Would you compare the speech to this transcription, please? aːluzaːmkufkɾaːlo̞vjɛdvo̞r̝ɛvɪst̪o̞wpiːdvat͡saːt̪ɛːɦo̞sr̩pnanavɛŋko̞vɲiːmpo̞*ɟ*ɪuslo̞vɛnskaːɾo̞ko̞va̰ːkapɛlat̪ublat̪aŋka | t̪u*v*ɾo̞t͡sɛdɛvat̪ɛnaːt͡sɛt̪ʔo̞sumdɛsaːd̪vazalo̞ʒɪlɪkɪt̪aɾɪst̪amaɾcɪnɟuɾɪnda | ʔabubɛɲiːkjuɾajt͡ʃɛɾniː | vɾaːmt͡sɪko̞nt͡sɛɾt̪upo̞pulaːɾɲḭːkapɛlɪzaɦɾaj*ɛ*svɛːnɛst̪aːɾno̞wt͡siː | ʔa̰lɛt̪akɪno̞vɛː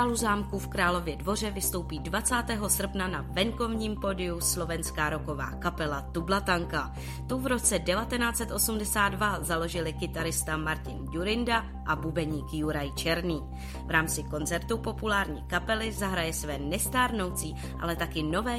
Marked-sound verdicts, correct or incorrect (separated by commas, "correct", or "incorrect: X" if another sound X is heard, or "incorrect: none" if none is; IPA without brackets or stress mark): incorrect: d, correct, correct